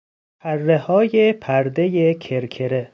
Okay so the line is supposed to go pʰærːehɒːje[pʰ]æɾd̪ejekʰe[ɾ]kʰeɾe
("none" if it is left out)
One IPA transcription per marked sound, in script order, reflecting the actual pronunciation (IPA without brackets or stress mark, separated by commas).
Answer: pʰ, ɾ